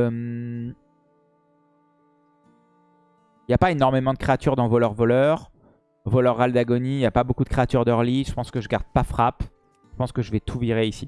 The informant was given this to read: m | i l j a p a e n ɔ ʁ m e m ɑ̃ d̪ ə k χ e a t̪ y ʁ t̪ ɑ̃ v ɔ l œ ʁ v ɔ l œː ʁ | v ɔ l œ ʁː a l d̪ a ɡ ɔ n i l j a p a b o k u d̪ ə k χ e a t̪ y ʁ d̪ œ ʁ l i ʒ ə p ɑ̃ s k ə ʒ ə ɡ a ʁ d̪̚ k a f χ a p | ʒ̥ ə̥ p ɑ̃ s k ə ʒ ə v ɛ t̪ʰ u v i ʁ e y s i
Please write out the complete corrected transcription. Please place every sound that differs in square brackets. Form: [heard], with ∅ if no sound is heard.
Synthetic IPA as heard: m | i l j a p a e n ɔ ʁ m e m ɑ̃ d̪ ə k χ e a t̪ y ʁ [d̪] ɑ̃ v ɔ l œ ʁ v ɔ l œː ʁ | v ɔ l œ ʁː a l d̪ a ɡ ɔ n i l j a p a b o k u d̪ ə k χ e a t̪ y ʁ d̪ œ ʁ l i ʒ ə p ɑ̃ s k ə ʒ ə ɡ a ʁ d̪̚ [p] a f χ a p | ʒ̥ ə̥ p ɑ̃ s k ə ʒ ə v ɛ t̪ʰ u v i ʁ e [i] s i